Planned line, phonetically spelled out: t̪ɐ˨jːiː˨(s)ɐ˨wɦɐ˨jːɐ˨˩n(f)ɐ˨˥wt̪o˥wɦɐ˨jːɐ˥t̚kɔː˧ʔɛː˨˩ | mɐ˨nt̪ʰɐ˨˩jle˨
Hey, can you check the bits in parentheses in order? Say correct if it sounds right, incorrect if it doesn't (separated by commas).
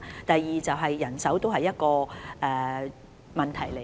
incorrect, incorrect